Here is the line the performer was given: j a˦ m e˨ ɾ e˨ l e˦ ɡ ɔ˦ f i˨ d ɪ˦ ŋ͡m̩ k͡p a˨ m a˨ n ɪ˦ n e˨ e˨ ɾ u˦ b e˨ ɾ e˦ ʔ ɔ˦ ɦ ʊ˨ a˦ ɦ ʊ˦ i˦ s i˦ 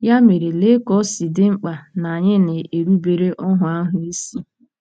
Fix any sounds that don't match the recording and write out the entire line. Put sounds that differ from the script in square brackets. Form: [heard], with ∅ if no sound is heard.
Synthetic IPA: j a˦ m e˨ ɾ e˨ l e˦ [k] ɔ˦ [s] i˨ d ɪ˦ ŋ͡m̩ k͡p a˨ [n] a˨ [ɲ] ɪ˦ n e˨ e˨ ɾ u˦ b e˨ ɾ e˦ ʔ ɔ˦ ɦ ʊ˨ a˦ ɦ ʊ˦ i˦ s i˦